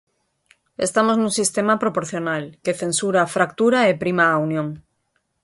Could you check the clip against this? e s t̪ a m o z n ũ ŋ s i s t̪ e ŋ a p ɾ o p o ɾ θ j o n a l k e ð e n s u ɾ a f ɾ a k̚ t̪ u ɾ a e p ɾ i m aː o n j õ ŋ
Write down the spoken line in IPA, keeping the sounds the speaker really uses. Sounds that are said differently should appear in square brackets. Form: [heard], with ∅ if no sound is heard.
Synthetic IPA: e s t̪ a m o z n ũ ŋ s i s t̪ e [m] a p ɾ o p o ɾ θ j o n a l k e [θ] e n s u ɾ a f ɾ a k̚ t̪ u ɾ a e p ɾ i m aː [u] n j õ ŋ